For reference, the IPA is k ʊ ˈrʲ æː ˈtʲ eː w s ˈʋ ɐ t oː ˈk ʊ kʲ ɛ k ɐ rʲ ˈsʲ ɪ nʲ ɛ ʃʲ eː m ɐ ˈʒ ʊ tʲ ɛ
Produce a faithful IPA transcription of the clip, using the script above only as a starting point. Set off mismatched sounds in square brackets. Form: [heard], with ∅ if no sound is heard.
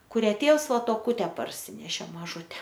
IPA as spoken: k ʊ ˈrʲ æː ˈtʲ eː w s ˈʋ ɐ t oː ˈk ʊ [tʲ] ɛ [p] ɐ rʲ ˈsʲ ɪ nʲ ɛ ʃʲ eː m ɐ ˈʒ ʊ tʲ ɛ